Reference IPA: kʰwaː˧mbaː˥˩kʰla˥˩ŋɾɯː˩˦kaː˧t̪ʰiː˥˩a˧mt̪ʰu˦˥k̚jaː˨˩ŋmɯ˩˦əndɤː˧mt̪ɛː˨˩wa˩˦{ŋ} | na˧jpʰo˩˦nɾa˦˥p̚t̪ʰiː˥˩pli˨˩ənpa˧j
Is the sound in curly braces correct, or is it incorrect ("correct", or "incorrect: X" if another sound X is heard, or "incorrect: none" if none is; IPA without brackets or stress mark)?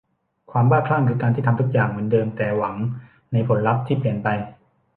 correct